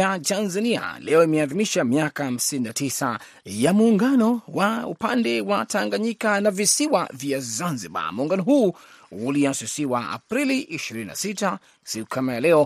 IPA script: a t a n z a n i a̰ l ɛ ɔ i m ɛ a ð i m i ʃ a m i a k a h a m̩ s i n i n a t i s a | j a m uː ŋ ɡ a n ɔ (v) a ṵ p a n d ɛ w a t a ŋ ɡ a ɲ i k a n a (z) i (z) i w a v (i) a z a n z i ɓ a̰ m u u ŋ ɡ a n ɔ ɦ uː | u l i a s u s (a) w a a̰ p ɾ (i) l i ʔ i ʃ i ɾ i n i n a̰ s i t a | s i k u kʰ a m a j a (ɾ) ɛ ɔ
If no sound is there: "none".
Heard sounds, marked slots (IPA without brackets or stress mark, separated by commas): w, v, s, j, i, i, l